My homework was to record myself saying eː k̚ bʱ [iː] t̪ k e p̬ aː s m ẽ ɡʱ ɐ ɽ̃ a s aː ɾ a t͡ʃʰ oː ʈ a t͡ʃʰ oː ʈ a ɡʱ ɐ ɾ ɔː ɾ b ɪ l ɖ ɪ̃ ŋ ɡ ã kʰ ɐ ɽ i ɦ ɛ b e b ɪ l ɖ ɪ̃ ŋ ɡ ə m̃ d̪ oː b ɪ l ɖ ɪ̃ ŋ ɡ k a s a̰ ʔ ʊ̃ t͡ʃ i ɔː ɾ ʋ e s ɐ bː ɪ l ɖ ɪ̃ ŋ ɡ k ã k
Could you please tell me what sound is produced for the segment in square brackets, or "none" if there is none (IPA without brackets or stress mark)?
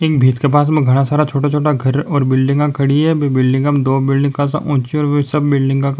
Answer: iː